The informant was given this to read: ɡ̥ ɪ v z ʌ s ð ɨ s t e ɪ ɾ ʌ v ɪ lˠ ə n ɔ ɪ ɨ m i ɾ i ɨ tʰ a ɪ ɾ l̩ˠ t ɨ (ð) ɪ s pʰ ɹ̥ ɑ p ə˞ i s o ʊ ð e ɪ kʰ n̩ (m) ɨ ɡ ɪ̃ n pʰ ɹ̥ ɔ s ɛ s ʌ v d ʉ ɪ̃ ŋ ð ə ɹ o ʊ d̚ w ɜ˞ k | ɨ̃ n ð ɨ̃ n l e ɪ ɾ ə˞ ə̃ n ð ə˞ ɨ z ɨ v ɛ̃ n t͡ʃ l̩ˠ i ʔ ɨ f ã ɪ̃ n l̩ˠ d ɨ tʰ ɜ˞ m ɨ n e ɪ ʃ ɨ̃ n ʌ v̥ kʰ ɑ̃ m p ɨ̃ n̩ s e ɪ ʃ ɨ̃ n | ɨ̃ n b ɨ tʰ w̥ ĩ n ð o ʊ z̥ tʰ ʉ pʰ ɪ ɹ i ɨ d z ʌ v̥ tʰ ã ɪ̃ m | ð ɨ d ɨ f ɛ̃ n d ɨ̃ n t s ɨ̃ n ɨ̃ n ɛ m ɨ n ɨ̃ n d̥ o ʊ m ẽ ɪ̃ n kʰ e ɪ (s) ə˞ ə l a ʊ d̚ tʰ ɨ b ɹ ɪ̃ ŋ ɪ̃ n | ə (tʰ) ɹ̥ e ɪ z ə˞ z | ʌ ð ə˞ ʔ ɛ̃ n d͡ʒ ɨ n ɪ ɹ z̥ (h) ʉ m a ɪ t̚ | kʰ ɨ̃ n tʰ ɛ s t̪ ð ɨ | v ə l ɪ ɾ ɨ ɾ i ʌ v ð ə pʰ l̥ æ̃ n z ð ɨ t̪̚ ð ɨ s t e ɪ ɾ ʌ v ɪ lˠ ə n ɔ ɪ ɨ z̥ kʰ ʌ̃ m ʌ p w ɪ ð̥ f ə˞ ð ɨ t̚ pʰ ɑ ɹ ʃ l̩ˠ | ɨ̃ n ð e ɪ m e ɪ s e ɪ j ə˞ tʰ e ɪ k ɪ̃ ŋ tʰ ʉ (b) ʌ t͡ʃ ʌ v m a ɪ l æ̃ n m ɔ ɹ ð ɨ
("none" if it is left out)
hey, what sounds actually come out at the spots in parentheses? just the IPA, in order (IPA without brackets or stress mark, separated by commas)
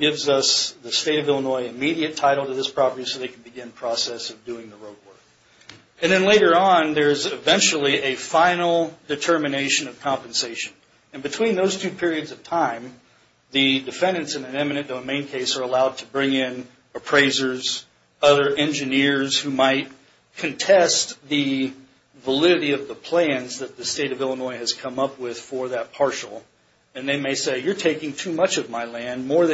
ð, b, s, pʰ, h, m